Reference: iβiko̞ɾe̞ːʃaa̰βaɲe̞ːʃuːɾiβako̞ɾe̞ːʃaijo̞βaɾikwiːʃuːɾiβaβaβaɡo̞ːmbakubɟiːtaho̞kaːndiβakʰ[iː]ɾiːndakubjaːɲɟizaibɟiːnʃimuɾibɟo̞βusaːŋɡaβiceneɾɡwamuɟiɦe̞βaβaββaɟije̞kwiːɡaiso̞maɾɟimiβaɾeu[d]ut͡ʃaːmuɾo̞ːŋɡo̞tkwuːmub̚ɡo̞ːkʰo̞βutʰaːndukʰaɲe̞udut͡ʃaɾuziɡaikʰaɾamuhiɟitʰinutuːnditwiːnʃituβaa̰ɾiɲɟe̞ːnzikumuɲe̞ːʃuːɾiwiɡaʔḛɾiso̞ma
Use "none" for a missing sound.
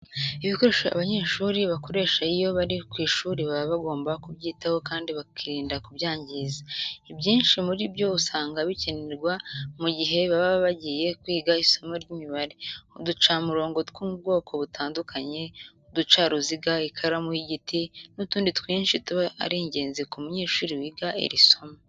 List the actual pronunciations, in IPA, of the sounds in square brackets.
i, d

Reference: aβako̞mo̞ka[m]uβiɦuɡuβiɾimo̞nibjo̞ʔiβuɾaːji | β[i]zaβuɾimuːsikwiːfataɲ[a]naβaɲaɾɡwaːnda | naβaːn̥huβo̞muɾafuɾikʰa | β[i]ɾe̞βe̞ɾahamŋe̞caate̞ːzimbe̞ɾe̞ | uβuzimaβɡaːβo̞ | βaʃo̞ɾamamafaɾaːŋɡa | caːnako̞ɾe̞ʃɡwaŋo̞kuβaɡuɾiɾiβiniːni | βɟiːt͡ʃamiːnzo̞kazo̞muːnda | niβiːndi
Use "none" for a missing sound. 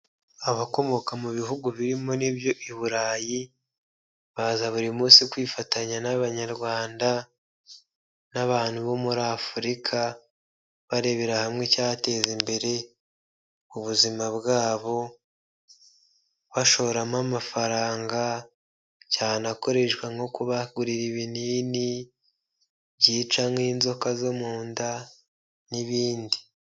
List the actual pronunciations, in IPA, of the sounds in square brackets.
m, a, a, a

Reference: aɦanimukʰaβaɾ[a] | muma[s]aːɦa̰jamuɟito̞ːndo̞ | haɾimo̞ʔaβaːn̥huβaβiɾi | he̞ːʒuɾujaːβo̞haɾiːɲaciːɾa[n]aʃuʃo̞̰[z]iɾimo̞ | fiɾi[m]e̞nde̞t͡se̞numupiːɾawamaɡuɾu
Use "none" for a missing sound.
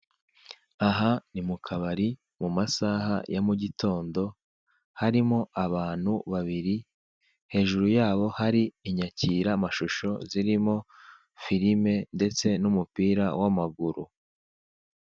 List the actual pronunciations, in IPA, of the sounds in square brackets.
i, s, m, z, m

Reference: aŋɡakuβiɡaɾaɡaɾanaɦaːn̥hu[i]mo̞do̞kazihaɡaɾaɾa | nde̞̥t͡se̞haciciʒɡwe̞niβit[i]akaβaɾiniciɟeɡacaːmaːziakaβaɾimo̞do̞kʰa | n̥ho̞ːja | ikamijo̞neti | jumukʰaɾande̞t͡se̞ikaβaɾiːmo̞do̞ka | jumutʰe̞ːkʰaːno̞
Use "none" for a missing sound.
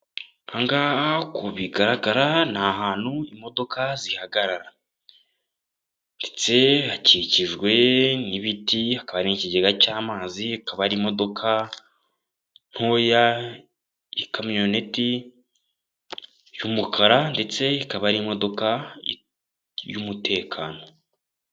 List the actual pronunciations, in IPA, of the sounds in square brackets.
i, i

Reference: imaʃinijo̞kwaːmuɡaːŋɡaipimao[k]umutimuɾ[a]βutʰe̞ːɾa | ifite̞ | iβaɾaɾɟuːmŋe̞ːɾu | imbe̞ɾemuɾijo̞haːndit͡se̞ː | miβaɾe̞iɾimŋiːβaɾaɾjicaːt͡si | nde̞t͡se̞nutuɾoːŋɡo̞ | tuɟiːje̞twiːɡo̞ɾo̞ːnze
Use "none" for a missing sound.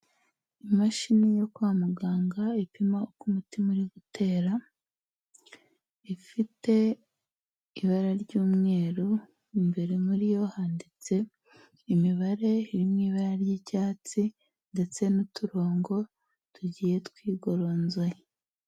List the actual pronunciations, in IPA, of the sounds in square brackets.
k, i

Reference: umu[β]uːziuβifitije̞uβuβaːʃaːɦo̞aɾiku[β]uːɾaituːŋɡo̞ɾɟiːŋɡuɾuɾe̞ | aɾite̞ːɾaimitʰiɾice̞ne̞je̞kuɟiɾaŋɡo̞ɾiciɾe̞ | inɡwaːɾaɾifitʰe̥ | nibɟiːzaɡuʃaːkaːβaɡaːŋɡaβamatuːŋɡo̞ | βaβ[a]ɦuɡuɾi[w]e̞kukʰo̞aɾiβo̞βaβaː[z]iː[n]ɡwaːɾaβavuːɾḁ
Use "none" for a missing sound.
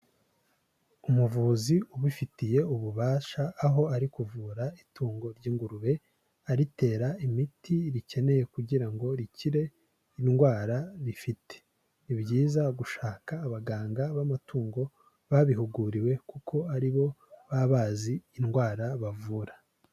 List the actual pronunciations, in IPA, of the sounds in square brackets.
v, v, i, w, z, n

